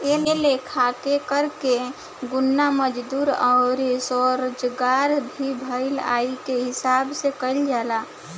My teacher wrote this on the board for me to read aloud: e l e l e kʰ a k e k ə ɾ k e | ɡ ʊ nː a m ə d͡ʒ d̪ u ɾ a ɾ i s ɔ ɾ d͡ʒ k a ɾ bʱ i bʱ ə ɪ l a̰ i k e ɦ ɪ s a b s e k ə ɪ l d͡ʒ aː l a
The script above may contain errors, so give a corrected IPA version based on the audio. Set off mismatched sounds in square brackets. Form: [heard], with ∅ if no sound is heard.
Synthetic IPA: e l e l e kʰ a k e k ə ɾ k e | ɡ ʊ nː a m ə d͡ʒ d̪ u ɾ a ɾ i s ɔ ɾ d͡ʒ [ɡ] a ɾ bʱ i bʱ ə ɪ l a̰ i k e ɦ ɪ s a b s e k ə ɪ l d͡ʒ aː l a